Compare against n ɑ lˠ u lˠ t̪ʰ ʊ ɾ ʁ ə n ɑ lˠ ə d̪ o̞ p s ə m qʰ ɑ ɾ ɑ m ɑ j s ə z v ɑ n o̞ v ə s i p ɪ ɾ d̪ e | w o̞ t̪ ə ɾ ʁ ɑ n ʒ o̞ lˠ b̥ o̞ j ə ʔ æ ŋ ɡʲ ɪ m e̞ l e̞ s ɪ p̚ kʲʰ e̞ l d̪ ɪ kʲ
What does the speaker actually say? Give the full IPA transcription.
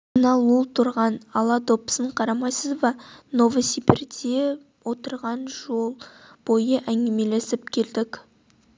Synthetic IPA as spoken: n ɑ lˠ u lˠ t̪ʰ ʊ ɾ ʁ ɑ n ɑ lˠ ɑ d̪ o̞ p s ə ɴ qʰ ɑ ɾ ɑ m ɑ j s ə z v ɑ n o̞ v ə s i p ɪ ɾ d̪ e | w o̞ t̪ ə ɾ ʁ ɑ n ʒ o̞ lˠ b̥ o̞ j ə ʔ æ ŋ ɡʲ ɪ m e̞ l e̞ s ɪ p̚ kʲʰ e̞ l d̪ ɪ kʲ